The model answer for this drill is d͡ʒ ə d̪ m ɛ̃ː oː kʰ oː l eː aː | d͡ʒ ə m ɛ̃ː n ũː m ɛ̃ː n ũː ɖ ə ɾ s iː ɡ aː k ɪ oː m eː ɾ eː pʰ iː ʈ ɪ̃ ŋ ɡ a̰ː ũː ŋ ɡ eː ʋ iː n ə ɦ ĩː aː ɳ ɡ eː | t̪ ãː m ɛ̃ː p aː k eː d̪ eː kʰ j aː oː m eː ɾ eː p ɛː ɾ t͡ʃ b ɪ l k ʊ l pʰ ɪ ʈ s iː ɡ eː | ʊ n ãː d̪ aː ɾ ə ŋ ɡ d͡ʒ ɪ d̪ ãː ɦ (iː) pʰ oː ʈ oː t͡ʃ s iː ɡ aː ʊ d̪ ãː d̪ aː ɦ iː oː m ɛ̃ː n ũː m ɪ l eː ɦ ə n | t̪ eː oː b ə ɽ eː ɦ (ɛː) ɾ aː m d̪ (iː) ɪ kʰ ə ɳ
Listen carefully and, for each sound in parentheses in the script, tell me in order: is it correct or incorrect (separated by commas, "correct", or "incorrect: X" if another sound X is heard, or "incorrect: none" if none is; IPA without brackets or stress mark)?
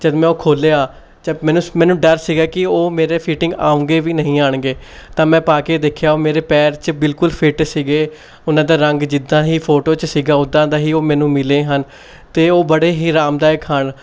correct, incorrect: iː, incorrect: aː